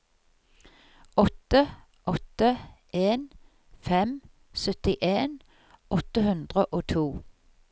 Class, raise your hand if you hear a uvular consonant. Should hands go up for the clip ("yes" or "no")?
yes